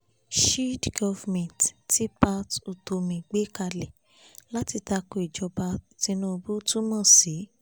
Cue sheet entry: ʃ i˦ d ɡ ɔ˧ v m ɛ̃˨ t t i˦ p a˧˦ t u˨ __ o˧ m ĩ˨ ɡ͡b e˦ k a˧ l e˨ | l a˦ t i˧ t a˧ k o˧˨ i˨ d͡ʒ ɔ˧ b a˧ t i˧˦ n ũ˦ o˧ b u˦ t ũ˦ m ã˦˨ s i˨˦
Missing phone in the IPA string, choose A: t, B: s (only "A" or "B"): A